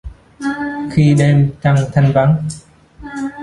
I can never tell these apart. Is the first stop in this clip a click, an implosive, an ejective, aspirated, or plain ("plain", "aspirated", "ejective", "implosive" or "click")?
implosive